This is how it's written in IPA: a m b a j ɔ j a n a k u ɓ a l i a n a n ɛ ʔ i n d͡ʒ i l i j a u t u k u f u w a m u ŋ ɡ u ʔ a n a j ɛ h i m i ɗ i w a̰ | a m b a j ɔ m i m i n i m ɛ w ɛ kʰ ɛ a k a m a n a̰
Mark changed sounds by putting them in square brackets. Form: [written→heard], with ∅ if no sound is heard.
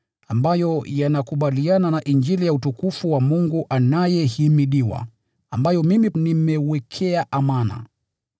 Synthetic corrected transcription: a m b a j ɔ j a n a k u ɓ a l i a n a n [ɛ→a] ʔ i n d͡ʒ i l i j a u t u k u f u w a m u ŋ ɡ u ʔ a n a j ɛ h i m i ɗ i w a̰ | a m b a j ɔ m i m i n i m ɛ w ɛ kʰ ɛ a [k→ʔ] a m a n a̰

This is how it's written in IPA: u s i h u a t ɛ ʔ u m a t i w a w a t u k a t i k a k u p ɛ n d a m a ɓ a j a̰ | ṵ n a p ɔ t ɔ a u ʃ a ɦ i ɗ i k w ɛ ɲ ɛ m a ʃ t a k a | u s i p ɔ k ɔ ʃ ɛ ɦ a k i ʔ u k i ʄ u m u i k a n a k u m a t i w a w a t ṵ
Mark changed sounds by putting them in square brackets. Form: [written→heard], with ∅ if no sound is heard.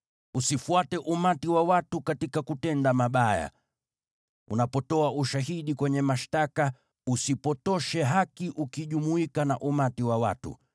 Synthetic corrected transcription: u s i [h→f] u a t ɛ ʔ u m a t i w a w a t u k a t i k a k u [p→t] ɛ n d a m a ɓ a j a̰ | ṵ n a p ɔ t ɔ a u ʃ a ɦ i ɗ i k w ɛ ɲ ɛ m a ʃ t a k a | u s i p ɔ [k→t] ɔ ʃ ɛ ɦ a k i ʔ u k i ʄ u m u i k a n a [k→ʔ] u m a t i w a w a t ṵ

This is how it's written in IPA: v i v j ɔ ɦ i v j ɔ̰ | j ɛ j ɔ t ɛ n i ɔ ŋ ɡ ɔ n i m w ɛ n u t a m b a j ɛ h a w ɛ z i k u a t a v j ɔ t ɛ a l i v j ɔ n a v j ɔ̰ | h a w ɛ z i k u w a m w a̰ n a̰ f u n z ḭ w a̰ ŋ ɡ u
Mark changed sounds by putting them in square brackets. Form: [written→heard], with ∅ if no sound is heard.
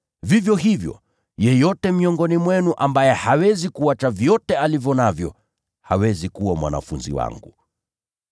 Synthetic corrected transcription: v i v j ɔ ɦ i v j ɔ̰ | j ɛ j ɔ t ɛ [n→m] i ɔ ŋ ɡ ɔ n i m w ɛ n u [t→ʔ] a m b a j ɛ h a w ɛ z i k u a [t→t͡ʃ] a v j ɔ t ɛ a l i v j ɔ n a v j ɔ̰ | h a w ɛ z i k u w a m w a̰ n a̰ f u n z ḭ w a̰ ŋ ɡ u

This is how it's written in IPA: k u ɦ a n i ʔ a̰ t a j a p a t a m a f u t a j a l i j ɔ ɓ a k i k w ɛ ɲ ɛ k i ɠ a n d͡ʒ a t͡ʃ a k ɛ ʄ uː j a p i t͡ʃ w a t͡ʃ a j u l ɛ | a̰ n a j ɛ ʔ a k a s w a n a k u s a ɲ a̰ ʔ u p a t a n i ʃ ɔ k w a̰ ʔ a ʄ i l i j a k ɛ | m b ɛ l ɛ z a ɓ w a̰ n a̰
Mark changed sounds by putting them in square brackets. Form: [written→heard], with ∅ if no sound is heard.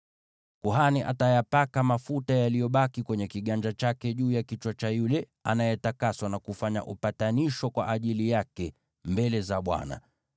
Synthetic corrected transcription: k u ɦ a n i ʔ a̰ t a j a p a [t→k] a m a f u t a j a l i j ɔ ɓ a k i k w ɛ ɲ ɛ k i ɠ a n d͡ʒ a t͡ʃ a k ɛ ʄ uː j a [p→k] i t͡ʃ w a t͡ʃ a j u l ɛ | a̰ n a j ɛ [ʔ→t] a k a s w a n a k u [s→f] a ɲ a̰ ʔ u p a t a n i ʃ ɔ k w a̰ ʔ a ʄ i l i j a k ɛ | m b ɛ l ɛ z a ɓ w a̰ n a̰

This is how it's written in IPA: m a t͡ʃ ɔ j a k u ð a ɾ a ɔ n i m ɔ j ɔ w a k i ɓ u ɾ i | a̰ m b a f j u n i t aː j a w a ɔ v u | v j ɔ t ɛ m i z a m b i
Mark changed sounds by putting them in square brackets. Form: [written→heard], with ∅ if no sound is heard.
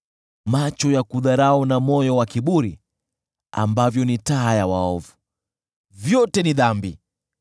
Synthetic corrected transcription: m a t͡ʃ ɔ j a k u ð a ɾ a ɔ n [i→a] m ɔ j ɔ w a k i ɓ u ɾ i | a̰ m b a [f→v] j [u→ɔ] n i t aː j a w a ɔ v u | v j ɔ t ɛ [m→n] i [z→ð] a m b i

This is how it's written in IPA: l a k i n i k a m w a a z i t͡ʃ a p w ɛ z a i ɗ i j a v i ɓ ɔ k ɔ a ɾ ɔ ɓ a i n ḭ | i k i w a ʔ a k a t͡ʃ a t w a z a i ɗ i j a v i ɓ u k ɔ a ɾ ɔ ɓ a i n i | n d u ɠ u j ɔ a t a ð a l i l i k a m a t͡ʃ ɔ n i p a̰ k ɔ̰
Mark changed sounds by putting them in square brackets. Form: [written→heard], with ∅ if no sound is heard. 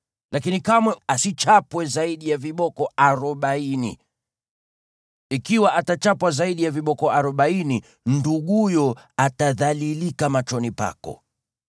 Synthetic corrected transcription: l a k i n i k a m w [a→ɛ] a [z→s] i t͡ʃ a p w ɛ z a i ɗ i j a v i ɓ ɔ k ɔ a ɾ ɔ ɓ a i n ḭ | i k i w a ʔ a [k→t] a t͡ʃ a [t→p] w a z a i ɗ i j a v i ɓ [u→ɔ] k ɔ a ɾ ɔ ɓ a i n i | n d u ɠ u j ɔ a t a ð a l i l i k a m a t͡ʃ ɔ n i p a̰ k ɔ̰

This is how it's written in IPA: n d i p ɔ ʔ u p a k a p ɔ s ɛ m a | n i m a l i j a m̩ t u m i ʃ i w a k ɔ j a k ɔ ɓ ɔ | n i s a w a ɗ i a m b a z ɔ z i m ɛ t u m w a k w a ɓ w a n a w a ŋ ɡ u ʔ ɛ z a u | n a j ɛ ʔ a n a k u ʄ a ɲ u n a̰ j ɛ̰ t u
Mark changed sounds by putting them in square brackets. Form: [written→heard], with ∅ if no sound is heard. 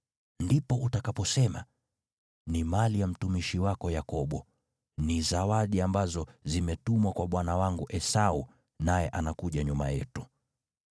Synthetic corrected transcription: n d i p ɔ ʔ u [p→t] a k a p ɔ s ɛ m a | n i m a l i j a m̩ t u m i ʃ i w a k ɔ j a k ɔ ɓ ɔ | n i [s→z] a w a ɗ i a m b a z ɔ z i m ɛ t u m w a k w a ɓ w a n a w a ŋ ɡ u ʔ ɛ [z→s] a u | n a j ɛ ʔ a n a k u ʄ a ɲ u [n→m] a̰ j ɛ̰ t u

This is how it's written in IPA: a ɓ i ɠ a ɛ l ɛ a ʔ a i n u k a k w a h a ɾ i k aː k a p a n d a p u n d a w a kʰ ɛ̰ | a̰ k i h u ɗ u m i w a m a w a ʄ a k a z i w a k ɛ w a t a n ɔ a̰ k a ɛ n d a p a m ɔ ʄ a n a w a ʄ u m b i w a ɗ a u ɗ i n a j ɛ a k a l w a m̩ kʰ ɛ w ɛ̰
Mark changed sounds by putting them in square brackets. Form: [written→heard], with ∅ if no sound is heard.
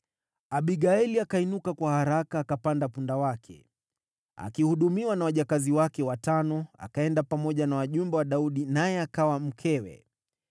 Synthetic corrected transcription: a ɓ i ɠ a ɛ l [ɛ→i] a [ʔ→k] a i n u k a k w a h a ɾ [i→a] k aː k a p a n d a p u n d a w a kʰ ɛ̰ | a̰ k i h u ɗ u m i w a [m→n] a w a ʄ a k a z i w a k ɛ w a t a n ɔ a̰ k a ɛ n d a p a m ɔ ʄ a n a w a ʄ u m b [i→ɛ] w a ɗ a u ɗ i n a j ɛ a k a [l→∅] w a m̩ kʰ ɛ w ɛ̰

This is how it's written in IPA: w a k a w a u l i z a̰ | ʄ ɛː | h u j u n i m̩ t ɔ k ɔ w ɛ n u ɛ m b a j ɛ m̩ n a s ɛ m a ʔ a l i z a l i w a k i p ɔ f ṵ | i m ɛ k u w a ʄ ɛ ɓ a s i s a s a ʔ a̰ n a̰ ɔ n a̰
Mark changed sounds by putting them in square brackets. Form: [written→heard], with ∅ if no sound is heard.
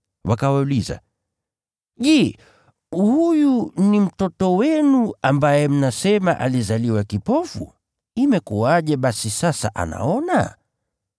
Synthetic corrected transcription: w a k a w a u l i z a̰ | ʄ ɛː | h u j u n i m̩ t ɔ [k→t] ɔ w ɛ n u [ɛ→a] m b a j ɛ m̩ n a s ɛ m a ʔ a l i z a l i w a k i p ɔ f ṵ | i m ɛ k u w a ʄ ɛ ɓ a s i s a s a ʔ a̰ n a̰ ɔ n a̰

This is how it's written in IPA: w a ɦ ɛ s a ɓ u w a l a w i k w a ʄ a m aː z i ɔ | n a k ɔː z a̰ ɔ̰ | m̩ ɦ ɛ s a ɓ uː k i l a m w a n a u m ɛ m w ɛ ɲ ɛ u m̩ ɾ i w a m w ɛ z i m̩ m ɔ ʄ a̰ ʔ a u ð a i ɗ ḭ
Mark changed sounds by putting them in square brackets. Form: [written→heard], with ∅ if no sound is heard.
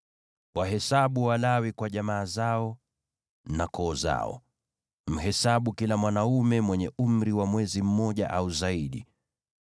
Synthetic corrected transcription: w a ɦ ɛ s a ɓ u w a l a w i k w a ʄ a m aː z [i→a] ɔ | n a k ɔː z a̰ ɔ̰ | m̩ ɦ ɛ s a ɓ [uː→u] k i l a m w a n a u m ɛ m w ɛ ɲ ɛ u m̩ ɾ i w a m w ɛ z i m̩ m ɔ ʄ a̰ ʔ a u [ð→z] a i ɗ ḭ

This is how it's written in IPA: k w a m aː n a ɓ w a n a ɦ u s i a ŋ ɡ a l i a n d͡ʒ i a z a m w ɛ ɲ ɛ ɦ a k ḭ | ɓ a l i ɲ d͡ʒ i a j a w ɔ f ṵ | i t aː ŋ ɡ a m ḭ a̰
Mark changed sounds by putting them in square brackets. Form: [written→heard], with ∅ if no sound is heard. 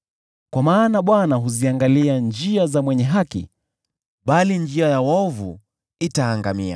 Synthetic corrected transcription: k w a m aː n a ɓ w a n a ɦ u [s→z] i a ŋ ɡ a l i a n d͡ʒ i a z a m w ɛ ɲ ɛ ɦ a k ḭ | ɓ a l i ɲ d͡ʒ i a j a w ɔ [f→v] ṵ | i t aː ŋ ɡ a m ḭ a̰

